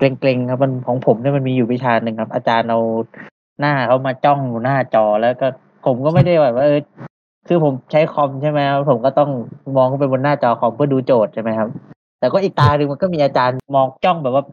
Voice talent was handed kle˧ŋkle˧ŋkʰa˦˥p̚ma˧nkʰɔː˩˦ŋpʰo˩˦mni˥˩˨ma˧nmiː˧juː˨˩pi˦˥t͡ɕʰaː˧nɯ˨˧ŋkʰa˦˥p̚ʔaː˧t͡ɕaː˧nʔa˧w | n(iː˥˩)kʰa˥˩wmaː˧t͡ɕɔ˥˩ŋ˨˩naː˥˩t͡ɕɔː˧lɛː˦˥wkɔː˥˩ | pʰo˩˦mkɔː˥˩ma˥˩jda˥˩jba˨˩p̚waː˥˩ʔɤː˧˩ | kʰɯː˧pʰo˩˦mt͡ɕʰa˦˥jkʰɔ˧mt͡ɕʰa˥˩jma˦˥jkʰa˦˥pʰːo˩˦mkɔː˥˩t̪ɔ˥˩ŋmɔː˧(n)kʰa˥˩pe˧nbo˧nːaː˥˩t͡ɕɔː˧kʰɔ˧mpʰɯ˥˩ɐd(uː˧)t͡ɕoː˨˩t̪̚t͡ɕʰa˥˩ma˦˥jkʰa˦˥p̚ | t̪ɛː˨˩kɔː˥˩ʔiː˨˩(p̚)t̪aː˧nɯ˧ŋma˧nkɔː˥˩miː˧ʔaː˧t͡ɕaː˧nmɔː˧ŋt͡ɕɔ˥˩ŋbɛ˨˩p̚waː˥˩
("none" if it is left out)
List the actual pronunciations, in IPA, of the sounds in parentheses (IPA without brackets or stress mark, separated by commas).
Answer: aː˥˩, ŋ, uː˧, k̚